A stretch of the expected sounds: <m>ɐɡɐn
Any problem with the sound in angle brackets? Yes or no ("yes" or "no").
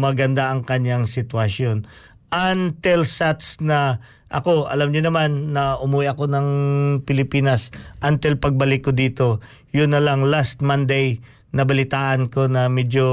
no